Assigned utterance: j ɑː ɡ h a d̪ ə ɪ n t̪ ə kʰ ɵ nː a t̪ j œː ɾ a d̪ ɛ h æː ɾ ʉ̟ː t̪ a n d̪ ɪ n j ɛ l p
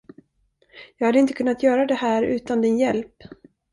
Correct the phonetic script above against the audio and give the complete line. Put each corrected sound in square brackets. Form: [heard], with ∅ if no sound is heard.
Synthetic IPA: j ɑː ɡ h a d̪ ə ɪ n t̪ ə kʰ ɵ nː a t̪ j œː ɾ a d̪ ɛ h æː ɾ ʉ̟ː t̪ a n d̪ ɪ n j ɛ l p